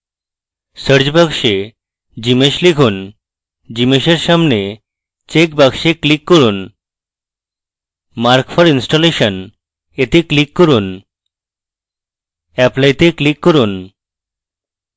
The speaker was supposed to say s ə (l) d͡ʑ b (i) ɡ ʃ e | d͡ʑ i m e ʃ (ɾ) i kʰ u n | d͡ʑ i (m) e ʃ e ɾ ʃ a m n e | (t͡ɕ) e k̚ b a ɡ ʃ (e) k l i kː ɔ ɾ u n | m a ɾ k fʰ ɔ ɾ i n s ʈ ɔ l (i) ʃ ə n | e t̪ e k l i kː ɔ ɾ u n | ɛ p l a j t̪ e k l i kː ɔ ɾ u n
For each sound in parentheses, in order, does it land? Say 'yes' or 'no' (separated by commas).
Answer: no, no, no, yes, yes, yes, no